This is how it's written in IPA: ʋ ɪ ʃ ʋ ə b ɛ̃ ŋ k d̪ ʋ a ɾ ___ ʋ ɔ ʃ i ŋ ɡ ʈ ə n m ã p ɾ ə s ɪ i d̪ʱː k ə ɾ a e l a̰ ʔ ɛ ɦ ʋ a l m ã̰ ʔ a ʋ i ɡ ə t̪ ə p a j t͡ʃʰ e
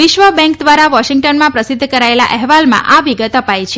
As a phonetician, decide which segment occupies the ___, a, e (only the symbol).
a